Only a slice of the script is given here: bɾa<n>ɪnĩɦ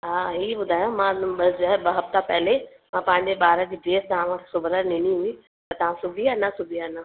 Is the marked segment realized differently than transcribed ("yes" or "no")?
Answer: no